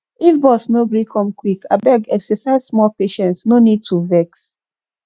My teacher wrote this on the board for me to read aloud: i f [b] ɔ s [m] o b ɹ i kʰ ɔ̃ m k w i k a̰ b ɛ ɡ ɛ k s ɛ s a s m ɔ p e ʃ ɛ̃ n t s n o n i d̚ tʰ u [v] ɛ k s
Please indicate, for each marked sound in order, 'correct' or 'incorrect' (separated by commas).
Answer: correct, incorrect, correct